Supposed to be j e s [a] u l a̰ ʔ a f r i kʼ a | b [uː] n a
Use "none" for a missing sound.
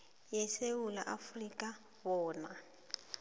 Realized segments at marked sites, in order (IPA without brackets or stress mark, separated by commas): e, ɔː